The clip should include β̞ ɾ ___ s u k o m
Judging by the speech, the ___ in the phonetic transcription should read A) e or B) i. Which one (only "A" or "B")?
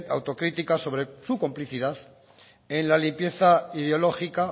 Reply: A